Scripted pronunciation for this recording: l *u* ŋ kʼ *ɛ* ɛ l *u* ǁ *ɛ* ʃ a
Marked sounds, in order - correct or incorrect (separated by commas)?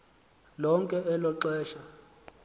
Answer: incorrect, correct, incorrect, incorrect